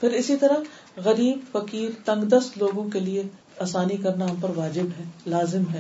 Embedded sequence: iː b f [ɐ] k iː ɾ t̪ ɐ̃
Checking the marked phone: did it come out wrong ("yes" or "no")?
no